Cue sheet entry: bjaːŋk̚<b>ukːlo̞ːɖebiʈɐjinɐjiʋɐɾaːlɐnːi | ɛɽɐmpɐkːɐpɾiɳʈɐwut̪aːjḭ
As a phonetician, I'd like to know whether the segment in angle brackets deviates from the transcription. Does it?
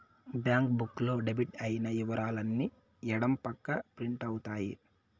no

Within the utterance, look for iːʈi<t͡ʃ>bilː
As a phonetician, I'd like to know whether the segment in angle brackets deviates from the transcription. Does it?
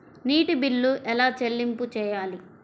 yes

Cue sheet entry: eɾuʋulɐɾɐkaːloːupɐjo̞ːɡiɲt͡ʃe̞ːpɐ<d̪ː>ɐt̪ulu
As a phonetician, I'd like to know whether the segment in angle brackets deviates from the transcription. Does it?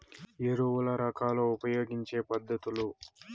no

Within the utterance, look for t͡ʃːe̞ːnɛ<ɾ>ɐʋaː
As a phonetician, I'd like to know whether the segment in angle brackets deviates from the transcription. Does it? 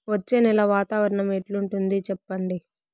yes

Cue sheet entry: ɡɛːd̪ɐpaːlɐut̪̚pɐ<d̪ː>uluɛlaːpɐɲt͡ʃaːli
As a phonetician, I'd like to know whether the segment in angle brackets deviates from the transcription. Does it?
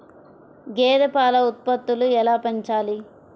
yes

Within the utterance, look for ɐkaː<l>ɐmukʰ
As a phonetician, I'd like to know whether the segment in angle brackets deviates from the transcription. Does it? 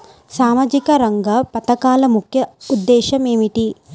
no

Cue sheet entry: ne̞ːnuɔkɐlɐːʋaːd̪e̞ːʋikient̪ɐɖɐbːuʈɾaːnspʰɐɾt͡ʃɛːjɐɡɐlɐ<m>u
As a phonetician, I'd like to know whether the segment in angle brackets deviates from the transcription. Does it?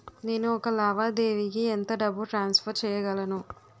yes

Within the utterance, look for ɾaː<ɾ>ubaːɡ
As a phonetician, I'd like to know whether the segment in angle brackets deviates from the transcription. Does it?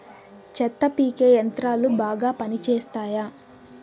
yes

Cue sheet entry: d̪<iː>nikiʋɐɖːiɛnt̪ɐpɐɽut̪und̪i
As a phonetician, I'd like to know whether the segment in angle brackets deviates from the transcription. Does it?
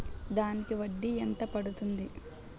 yes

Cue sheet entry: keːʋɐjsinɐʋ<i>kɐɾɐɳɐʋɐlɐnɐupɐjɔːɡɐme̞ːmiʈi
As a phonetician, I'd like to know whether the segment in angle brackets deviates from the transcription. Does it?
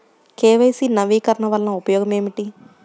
yes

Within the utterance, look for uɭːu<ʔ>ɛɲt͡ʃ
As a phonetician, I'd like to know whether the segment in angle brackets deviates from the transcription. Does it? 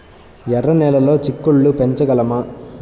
yes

